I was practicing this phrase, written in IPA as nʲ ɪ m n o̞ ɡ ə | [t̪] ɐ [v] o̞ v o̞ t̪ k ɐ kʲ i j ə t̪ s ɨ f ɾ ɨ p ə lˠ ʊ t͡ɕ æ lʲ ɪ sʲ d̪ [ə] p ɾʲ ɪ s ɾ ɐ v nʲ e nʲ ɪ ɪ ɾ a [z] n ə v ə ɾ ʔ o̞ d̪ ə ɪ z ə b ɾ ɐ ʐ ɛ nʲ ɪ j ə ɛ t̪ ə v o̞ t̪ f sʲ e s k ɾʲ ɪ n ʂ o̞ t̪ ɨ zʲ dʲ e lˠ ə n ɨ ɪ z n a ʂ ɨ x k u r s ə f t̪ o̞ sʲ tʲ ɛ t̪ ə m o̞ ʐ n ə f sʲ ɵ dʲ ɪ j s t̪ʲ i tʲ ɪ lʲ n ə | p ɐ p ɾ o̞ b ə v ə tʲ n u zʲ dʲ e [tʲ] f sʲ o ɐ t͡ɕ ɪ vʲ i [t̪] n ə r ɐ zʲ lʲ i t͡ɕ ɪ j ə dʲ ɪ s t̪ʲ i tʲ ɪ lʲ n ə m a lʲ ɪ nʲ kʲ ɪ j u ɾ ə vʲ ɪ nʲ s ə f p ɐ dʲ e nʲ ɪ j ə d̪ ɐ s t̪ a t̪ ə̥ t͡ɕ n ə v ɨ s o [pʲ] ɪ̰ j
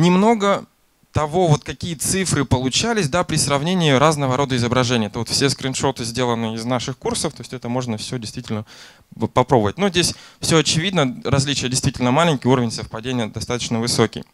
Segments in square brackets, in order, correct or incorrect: correct, correct, incorrect: a, correct, incorrect: sʲ, incorrect: d̪, incorrect: kʲ

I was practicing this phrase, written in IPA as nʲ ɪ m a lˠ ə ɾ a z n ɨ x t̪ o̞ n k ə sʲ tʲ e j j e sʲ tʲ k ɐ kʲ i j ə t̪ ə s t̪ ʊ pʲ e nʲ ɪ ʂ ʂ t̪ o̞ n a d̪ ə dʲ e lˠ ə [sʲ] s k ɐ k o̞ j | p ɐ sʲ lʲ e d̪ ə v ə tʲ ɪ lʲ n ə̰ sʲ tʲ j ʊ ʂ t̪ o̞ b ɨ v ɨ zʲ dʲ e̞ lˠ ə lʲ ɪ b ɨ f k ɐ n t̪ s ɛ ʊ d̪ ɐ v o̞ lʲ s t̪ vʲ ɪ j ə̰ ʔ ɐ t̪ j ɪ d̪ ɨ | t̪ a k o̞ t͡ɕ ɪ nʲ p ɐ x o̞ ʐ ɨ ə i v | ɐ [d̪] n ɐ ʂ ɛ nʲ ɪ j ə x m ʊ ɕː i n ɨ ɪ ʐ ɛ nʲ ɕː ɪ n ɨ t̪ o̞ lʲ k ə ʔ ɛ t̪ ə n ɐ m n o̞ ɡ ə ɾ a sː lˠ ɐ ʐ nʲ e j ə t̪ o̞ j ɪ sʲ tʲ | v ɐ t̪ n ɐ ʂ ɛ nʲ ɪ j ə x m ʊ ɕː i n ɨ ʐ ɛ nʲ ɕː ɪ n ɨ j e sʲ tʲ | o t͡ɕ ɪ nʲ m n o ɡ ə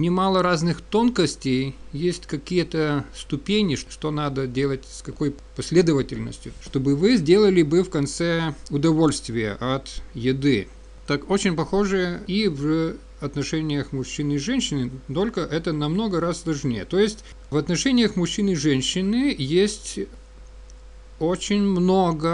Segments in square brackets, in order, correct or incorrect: incorrect: tʲ, incorrect: t̪

